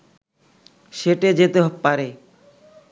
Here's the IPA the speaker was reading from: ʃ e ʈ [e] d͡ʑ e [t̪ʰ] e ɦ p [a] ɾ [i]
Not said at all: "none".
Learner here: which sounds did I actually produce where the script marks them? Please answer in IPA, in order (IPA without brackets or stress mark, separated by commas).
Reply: e, t̪, a, e